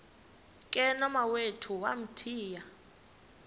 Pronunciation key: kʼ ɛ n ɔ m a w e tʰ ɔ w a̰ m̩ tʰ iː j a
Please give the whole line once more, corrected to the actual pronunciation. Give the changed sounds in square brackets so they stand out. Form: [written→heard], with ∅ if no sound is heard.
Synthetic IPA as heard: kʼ ɛ n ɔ m a w e tʰ [ɔ→u] w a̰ m̩ tʰ iː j a